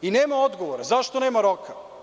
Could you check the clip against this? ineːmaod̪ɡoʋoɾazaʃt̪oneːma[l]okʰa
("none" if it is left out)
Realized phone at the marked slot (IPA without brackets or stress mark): ɾ